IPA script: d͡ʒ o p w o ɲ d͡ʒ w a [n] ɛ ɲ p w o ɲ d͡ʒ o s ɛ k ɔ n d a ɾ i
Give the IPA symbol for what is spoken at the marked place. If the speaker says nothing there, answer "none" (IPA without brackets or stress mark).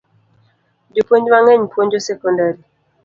ŋ